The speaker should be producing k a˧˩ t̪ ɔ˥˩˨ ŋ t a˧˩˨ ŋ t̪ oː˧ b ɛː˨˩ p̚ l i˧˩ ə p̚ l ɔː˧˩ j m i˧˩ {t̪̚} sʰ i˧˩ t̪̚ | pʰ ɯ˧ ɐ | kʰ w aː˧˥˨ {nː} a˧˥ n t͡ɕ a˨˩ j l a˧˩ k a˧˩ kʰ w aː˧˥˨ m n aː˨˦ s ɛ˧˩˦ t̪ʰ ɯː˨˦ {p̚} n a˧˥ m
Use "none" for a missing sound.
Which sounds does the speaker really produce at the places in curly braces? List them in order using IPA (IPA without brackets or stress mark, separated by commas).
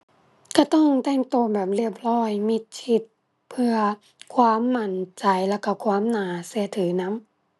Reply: t̪̚, mː, none